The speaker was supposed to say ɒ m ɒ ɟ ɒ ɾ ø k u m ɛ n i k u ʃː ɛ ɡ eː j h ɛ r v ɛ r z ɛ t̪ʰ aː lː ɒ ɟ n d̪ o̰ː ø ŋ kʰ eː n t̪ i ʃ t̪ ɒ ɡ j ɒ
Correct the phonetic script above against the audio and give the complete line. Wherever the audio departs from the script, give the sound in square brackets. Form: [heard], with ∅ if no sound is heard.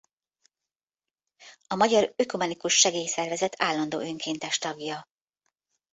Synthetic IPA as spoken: ɒ m ɒ ɟ ɒ ɾ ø k u m ɛ n i k u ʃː ɛ ɡ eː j [s] ɛ r v ɛ [∅] z ɛ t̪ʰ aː lː ɒ [∅] n d̪ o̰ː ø ŋ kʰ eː n t̪ [ɛ] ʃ t̪ ɒ ɡ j ɒ

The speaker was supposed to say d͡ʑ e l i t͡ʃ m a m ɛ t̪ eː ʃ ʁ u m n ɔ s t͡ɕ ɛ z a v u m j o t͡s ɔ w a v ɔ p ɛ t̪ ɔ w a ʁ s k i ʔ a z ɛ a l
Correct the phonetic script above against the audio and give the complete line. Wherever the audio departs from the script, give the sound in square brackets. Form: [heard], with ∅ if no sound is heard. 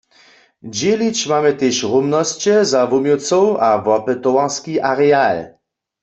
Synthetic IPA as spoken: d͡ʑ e l i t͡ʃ m a m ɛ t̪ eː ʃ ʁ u m n ɔ s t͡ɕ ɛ z a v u m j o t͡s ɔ w a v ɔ p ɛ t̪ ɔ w a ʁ s k i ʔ a [ʁ] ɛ a l

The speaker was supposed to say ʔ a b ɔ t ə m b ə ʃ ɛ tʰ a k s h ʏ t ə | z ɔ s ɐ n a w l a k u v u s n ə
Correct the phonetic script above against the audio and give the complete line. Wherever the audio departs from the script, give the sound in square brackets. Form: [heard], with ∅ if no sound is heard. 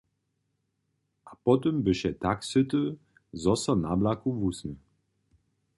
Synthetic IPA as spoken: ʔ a [p] ɔ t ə m b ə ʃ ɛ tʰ a k s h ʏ t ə | z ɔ s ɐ n a [b] l a k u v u s n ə

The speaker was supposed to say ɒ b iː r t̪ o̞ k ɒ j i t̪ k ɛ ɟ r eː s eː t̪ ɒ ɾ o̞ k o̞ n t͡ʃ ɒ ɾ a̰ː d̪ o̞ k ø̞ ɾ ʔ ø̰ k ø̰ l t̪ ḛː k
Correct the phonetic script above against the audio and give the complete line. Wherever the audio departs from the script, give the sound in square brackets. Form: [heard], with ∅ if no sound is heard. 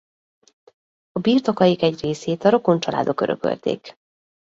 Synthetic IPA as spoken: ɒ b iː r t̪ o̞ k ɒ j i [∅] k ɛ ɟ r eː s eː t̪ ɒ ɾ o̞ k o̞ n t͡ʃ ɒ [l] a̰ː d̪ o̞ k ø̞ ɾ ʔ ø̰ k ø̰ l t̪ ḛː k

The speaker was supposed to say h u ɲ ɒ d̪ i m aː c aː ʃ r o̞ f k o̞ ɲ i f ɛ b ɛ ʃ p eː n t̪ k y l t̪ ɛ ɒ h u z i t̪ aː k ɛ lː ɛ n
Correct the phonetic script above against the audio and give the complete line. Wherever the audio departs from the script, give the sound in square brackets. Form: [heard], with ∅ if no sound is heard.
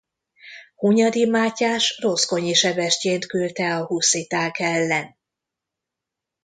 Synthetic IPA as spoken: h u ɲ ɒ d̪ i m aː c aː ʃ r o̞ [s] k o̞ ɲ i [ʃ] ɛ b ɛ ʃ [c] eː n t̪ k y l t̪ ɛ ɒ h u [s] i t̪ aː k ɛ lː ɛ n

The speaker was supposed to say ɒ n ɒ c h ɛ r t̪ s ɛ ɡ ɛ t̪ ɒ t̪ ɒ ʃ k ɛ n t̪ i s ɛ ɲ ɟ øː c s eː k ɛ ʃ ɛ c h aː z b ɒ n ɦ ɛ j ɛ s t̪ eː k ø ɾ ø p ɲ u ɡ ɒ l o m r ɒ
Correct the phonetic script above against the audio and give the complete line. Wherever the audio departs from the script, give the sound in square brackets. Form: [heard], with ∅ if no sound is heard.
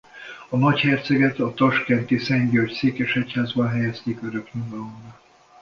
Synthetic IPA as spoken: ɒ n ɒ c h ɛ r t̪ s ɛ ɡ ɛ t̪ ɒ t̪ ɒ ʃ k ɛ n t̪ i s ɛ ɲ ɟ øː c s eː k ɛ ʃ ɛ c h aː z b ɒ n ɦ ɛ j ɛ s t̪ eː k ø ɾ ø [k] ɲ u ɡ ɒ l o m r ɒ

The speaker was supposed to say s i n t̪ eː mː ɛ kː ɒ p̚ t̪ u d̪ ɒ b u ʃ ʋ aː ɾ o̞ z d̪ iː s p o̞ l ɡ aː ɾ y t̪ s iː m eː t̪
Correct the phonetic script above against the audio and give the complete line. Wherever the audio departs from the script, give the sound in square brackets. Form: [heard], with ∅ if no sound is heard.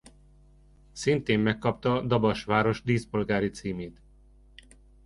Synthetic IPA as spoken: s i n t̪ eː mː ɛ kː ɒ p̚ t̪ [ɒ] d̪ ɒ b [ɒ] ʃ ʋ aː ɾ o̞ [ʒ] d̪ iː s p o̞ l ɡ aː ɾ [i] t̪ s iː m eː t̪

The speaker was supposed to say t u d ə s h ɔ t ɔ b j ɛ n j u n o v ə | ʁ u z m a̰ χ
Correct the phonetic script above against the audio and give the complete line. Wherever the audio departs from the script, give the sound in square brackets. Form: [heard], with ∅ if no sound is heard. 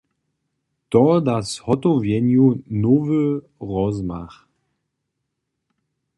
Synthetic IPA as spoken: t [ɔ] d [a] s h ɔ t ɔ [v] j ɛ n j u n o v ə | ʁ [ɔ] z m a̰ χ

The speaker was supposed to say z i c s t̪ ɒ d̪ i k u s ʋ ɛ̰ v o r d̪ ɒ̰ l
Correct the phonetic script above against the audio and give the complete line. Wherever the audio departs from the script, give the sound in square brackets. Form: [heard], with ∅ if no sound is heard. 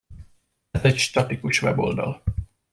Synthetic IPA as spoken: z [ɛ] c [ʃ] t̪ ɒ [t̪] i k u [ʃ] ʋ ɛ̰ [b] o [l] d̪ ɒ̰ l

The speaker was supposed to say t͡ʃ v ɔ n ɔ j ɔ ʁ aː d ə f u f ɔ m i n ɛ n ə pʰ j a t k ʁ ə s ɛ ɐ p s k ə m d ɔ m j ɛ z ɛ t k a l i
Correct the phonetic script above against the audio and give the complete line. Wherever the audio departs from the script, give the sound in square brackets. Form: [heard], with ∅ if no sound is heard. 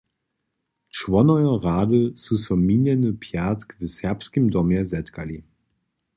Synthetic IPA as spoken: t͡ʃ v ɔ n ɔ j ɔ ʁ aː d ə [s] u [s] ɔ m i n ɛ n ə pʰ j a t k [v] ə s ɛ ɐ p s k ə m d ɔ m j ɛ z ɛ t k a l i

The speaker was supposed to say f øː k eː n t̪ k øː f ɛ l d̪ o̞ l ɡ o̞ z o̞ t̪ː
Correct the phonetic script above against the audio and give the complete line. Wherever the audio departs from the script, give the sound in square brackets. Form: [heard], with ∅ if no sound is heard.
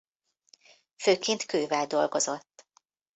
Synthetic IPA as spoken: f øː k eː n t̪ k øː [v] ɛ l d̪ o̞ l ɡ o̞ z o̞ t̪ː

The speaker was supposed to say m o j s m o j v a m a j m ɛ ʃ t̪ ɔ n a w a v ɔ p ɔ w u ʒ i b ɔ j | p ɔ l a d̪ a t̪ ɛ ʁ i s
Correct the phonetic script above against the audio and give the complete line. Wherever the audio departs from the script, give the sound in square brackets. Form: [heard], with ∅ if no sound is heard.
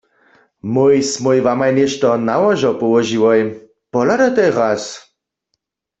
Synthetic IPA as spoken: m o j s m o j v a m a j [n] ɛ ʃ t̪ ɔ n a w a [ʒ] ɔ p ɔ w [ɔ] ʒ i [w] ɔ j | p ɔ l a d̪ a t̪ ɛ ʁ [a] s

